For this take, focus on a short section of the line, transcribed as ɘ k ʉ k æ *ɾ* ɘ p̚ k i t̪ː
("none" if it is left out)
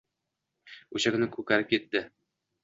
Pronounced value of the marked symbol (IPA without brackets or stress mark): ɾ